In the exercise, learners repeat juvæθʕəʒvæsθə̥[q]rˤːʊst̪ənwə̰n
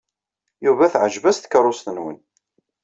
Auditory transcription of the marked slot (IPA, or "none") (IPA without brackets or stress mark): k